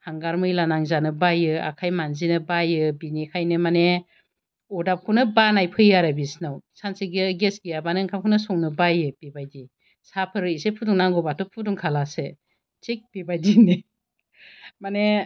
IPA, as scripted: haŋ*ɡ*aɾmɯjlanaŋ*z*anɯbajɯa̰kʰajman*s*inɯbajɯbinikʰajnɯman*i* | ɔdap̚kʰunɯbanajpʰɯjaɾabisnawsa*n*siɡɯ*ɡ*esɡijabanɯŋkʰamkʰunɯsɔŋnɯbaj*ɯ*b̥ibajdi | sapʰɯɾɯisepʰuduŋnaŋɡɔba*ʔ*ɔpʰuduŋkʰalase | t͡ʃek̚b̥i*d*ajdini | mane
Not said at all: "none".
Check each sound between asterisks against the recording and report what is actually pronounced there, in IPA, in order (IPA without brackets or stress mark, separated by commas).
ɡ, z, z, e, n, ɡ, ɯ, t, b